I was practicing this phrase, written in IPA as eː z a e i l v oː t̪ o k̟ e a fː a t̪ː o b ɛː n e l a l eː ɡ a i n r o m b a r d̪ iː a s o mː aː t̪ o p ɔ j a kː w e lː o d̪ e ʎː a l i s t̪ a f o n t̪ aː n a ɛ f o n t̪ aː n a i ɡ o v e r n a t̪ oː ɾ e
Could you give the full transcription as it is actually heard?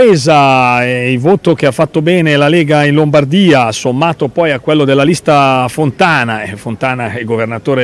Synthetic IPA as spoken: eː z a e i l v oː t̪ o k̟ e a fː a t̪ː o b ɛː n e l a l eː ɡ a i n l o m b a r d̪ iː a s o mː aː t̪ o p ɔ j a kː w e lː o d̪ e lː a l i s t̪ a f o n t̪ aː n a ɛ f o n t̪ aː n a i ɡ o v e r n a t̪ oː ɾ e